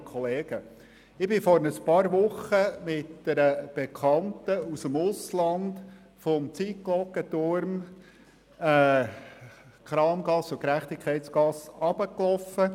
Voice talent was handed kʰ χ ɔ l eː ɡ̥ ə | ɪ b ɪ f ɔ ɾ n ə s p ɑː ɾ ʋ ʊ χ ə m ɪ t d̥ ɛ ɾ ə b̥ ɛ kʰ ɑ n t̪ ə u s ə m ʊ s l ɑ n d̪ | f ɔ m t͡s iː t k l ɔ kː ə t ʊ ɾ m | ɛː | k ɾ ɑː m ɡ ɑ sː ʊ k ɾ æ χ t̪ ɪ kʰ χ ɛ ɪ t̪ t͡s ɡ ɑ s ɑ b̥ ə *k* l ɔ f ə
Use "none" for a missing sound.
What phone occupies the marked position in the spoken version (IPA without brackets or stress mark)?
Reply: k